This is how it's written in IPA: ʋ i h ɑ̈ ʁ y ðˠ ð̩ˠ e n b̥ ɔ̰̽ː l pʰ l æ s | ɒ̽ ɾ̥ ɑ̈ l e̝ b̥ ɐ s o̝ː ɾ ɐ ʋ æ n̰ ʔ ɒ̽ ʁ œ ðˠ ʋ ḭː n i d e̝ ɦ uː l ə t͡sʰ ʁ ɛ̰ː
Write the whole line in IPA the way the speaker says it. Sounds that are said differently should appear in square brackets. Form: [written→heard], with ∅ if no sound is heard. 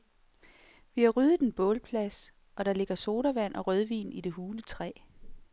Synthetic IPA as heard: ʋ i h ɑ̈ ʁ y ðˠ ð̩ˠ e n b̥ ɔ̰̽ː l pʰ l æ s | ɒ̽ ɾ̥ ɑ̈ l e̝ [b̥→ɡ̥] ɐ s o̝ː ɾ ɐ ʋ æ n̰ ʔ ɒ̽ ʁ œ ðˠ ʋ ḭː n i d e̝ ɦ uː l ə t͡sʰ ʁ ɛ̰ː